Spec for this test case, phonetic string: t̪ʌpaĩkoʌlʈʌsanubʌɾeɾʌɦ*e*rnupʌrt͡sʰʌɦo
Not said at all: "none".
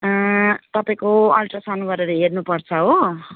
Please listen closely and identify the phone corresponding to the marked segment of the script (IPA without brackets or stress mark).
e